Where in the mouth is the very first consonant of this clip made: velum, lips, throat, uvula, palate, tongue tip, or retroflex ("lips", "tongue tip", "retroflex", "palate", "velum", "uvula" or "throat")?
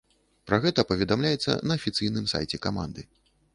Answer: lips